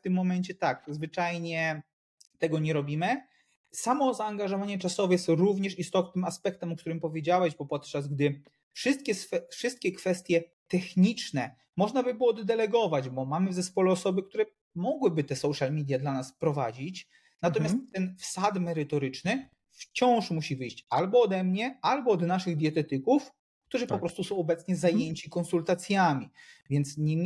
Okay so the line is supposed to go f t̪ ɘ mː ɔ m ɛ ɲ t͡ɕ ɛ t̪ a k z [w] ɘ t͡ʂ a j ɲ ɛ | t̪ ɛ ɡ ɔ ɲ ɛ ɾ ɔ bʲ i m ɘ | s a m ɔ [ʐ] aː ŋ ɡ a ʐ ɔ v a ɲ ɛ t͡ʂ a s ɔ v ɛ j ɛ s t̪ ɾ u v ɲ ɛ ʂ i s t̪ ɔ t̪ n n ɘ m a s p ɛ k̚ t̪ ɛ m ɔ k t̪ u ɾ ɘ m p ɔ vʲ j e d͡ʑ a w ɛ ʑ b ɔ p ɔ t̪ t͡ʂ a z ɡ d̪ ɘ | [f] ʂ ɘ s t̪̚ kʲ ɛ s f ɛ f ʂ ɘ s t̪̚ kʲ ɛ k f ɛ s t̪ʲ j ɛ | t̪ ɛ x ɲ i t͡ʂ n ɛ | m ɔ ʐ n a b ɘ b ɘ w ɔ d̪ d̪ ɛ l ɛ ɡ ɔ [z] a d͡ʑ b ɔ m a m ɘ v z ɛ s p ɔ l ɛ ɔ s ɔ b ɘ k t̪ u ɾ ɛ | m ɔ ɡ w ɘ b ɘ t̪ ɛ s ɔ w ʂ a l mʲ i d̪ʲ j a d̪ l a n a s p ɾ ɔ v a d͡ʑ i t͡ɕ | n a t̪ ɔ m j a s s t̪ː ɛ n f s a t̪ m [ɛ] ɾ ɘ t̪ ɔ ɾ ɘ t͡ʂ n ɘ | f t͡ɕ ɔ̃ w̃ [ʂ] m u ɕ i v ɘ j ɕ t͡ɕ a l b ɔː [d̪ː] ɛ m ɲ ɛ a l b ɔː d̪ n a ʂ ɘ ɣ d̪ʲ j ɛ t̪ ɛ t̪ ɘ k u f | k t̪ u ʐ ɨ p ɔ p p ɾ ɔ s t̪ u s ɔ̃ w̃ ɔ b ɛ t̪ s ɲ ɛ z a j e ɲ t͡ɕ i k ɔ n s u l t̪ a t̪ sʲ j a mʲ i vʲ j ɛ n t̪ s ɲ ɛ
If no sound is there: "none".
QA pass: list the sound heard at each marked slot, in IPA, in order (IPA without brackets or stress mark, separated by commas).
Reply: v, z, f, v, ɛ, ʂ, d̪